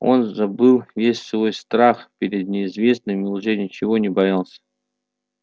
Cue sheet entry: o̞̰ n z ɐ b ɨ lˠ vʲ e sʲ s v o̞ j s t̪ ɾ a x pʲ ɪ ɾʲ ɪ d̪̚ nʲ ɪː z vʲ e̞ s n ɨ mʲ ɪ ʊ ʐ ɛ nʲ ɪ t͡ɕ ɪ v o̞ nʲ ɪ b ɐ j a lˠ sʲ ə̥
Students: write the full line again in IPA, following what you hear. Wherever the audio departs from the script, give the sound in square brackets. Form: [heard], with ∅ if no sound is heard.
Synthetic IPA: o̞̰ n z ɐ b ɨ lˠ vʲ e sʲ s v o̞ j s t̪ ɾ a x pʲ ɪ ɾʲ ɪ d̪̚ nʲ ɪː z vʲ e̞ s n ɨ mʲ ɪ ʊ ʐ ɛ nʲ ɪ t͡ɕ ɪ v o̞ nʲ ɪ b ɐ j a lˠ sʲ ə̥

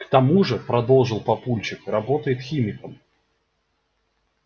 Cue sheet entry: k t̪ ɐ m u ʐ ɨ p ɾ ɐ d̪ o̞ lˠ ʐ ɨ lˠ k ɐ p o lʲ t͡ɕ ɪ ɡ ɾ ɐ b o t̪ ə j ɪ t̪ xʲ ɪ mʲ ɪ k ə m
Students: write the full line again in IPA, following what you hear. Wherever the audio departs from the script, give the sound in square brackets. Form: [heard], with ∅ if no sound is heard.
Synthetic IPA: k t̪ ɐ m u ʐ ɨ p ɾ ɐ d̪ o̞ lˠ ʐ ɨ lˠ [p] ɐ p [u] lʲ t͡ɕ ɪ [k] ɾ ɐ b o t̪ ə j ɪ t̪ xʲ [i] mʲ ɪ k ə m

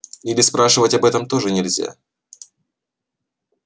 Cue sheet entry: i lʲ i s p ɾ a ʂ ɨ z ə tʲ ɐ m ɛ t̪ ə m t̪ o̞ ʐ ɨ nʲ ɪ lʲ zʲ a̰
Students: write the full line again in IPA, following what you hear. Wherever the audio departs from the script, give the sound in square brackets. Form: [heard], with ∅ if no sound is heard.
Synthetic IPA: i lʲ [ɪ] s p ɾ a ʂ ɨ [v] ə tʲ ɐ [b] ɛ t̪ ə m t̪ o̞ ʐ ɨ nʲ ɪ lʲ zʲ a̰

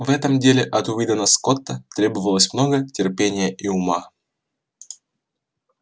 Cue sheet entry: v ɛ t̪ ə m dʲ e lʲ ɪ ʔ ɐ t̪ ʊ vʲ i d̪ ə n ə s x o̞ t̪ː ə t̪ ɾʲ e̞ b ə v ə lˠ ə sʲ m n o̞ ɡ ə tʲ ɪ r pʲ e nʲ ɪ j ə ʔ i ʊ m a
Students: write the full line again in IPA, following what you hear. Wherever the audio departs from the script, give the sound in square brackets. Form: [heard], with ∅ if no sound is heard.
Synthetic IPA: v ɛ t̪ ə m dʲ e lʲ ɪ ʔ ɐ t̪ ʊ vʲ i d̪ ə n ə s [k] o̞ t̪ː ə t̪ ɾʲ e̞ b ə v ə lˠ ə sʲ m n o̞ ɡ ə tʲ ɪ r pʲ e nʲ ɪ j ə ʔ i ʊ m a

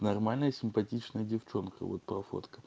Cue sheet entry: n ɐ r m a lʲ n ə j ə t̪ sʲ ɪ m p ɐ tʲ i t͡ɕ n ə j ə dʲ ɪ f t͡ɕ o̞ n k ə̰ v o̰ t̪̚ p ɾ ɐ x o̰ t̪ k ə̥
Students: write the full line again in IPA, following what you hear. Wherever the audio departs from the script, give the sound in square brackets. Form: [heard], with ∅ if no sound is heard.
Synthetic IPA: n ɐ r m a lʲ n ə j ə [∅] sʲ ɪ m p ɐ tʲ i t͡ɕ n ə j ə dʲ ɪ f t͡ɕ o̞ n k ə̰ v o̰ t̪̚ p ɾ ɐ [f] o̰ t̪ k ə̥

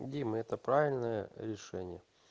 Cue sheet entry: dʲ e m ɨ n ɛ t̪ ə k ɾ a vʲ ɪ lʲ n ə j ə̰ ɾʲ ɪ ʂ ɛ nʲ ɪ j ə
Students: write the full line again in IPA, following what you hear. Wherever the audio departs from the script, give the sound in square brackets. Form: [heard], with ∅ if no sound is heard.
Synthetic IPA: dʲ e m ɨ [∅] ɛ t̪ ə [p] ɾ a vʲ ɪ lʲ n ə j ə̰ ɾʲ ɪ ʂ ɛ nʲ ɪ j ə

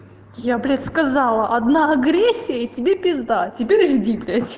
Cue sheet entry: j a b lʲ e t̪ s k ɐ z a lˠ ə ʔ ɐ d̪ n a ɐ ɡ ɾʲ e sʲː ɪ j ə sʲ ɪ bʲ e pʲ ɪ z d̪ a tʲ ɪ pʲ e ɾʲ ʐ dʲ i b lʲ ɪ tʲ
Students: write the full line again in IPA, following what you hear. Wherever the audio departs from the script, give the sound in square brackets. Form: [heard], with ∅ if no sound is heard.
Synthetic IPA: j a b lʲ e t̪ s k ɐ z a lˠ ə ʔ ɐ d̪ n a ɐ ɡ ɾʲ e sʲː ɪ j ə [tʲ] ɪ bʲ e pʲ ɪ z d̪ a tʲ ɪ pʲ e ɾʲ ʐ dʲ i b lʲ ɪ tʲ

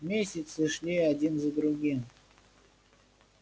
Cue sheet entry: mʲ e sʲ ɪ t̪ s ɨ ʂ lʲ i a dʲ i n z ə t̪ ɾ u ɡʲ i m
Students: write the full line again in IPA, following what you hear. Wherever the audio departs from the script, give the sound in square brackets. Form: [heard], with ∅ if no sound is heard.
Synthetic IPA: mʲ e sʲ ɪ t̪ s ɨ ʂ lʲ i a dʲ i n z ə [d̪] ɾ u ɡʲ i m

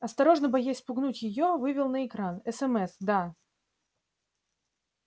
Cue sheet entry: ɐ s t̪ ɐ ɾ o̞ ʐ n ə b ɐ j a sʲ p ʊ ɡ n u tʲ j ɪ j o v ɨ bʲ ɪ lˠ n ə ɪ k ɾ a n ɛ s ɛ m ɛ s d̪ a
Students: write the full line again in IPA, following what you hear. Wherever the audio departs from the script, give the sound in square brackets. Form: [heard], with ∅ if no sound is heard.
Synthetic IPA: ɐ s t̪ ɐ ɾ o̞ ʐ n ə b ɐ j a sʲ p ʊ ɡ n u tʲ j ɪ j o v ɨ [vʲ] ɪ lˠ n ə ɪ k ɾ a n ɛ s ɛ m ɛ s d̪ a

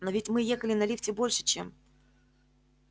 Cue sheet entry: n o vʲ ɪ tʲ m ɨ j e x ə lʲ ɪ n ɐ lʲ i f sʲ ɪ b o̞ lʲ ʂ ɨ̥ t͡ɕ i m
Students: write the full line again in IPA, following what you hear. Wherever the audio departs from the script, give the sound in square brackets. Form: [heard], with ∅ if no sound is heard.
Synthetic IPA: n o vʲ ɪ tʲ m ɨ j e x ə lʲ ɪ n ɐ lʲ i f [tʲ] ɪ b o̞ lʲ ʂ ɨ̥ t͡ɕ [e] m

